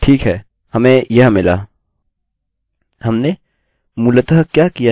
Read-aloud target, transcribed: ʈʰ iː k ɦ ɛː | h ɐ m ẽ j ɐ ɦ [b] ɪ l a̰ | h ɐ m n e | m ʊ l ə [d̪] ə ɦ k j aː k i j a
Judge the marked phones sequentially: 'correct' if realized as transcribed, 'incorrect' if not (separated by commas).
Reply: incorrect, incorrect